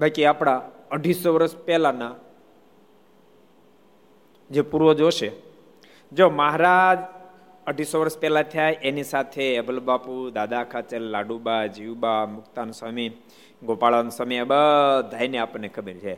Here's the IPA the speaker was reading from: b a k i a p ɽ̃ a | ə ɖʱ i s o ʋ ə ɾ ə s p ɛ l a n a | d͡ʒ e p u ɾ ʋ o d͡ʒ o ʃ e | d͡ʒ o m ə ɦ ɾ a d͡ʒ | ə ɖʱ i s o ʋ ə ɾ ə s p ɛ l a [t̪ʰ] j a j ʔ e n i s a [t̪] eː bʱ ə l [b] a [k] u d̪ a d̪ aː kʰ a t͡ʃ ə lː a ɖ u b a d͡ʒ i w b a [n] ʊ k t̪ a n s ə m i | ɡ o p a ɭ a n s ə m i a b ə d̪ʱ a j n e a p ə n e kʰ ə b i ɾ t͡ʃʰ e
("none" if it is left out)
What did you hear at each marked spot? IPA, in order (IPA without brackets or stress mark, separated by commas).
t̪ʰ, t̪ʰ, b, p, m